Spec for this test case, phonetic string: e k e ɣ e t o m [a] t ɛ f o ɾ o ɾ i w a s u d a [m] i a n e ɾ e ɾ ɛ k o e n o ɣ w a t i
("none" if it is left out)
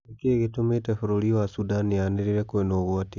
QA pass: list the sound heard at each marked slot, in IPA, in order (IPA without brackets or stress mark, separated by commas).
e, n